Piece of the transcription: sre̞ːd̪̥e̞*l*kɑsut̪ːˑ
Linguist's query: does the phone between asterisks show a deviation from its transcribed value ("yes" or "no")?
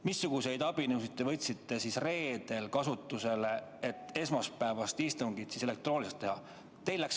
no